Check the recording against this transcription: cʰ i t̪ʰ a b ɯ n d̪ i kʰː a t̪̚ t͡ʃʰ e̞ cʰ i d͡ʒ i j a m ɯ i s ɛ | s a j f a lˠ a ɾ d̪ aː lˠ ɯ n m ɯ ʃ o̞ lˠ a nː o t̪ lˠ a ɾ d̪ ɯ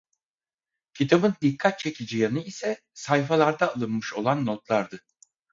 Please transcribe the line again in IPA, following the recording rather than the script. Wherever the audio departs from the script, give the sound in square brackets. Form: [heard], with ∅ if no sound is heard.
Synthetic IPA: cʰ i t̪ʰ a b ɯ n d̪ i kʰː a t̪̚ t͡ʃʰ e̞ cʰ i d͡ʒ i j a [n] ɯ i s ɛ | s a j f a lˠ a ɾ d̪ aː lˠ ɯ n m ɯ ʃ o̞ lˠ a nː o t̪ lˠ a ɾ d̪ ɯ